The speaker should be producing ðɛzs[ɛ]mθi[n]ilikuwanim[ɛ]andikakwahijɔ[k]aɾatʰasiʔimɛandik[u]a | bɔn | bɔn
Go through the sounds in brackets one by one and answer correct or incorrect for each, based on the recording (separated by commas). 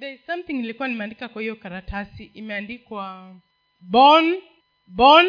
incorrect, incorrect, correct, correct, incorrect